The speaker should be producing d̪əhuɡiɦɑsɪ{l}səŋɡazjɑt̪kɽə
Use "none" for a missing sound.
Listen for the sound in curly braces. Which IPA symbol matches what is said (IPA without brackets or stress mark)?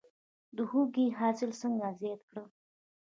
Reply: l